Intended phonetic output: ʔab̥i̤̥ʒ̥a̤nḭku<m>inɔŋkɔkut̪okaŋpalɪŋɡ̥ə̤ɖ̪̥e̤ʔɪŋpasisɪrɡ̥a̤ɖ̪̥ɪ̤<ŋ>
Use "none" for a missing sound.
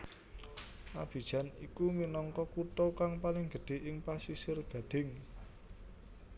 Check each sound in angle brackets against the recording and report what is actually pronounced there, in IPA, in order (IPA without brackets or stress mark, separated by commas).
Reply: m, ŋ